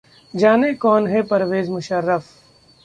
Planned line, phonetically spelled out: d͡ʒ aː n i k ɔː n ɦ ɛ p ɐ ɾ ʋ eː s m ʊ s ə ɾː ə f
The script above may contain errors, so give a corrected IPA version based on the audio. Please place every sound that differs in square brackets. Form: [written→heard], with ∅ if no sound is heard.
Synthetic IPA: d͡ʒ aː n [i→e] k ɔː n ɦ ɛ p ɐ ɾ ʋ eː [s→z] m ʊ [s→ʃ] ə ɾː ə f